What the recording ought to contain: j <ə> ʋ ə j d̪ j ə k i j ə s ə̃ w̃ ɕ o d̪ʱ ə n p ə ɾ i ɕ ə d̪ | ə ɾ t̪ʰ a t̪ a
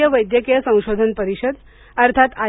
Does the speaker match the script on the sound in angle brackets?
yes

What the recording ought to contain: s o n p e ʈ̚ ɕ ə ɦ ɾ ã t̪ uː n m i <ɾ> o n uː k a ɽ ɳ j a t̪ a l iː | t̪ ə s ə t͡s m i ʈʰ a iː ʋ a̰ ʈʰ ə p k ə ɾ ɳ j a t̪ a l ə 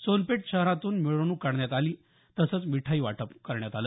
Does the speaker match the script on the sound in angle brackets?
no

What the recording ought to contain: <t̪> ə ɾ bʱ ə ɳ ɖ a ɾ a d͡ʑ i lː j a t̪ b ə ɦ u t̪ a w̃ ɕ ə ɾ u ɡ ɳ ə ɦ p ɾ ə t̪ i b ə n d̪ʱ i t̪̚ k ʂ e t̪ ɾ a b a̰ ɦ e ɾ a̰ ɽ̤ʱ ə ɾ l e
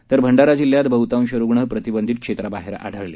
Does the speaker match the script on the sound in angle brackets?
yes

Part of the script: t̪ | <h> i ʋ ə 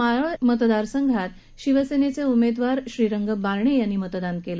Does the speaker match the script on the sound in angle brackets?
no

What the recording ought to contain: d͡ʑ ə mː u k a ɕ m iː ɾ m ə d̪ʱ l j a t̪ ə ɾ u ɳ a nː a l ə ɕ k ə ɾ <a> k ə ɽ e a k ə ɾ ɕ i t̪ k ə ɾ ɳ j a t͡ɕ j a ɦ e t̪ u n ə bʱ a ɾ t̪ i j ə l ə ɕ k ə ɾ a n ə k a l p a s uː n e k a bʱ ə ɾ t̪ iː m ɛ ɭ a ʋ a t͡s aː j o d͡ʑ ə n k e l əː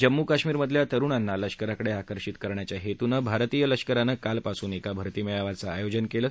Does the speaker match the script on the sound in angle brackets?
yes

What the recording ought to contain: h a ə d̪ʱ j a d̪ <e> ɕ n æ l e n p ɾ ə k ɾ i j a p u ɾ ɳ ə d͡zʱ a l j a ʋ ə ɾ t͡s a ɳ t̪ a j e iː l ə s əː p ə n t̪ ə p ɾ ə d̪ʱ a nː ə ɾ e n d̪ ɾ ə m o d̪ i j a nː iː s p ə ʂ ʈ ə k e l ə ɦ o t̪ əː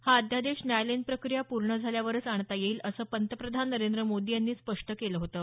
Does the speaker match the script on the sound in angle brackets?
yes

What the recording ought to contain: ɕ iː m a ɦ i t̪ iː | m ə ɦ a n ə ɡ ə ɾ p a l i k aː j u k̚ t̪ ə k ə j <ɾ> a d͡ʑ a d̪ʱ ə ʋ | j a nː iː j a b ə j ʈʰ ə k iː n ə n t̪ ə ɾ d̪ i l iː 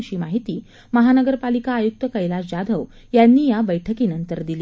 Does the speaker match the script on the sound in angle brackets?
no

